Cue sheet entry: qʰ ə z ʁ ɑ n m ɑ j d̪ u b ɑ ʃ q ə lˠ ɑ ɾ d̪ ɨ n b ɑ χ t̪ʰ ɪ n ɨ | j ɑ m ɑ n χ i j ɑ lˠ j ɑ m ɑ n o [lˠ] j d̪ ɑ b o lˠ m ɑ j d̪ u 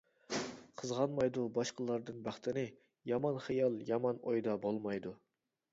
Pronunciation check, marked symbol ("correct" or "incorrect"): incorrect